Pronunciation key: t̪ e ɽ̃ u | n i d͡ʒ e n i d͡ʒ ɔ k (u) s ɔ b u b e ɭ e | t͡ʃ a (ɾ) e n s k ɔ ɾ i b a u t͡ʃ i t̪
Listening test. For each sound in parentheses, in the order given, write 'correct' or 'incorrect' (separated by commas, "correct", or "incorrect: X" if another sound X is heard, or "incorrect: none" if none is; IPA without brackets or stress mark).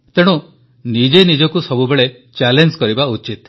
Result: correct, incorrect: l